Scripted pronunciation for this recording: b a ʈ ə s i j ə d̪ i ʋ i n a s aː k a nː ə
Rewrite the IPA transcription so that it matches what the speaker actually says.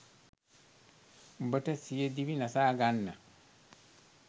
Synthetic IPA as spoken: b ə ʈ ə s i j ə d̪ i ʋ i n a s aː ɡ a nː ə

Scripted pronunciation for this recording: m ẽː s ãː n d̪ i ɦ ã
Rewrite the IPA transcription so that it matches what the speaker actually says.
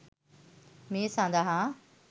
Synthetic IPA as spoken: m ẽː s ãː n d̪ a ɦ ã

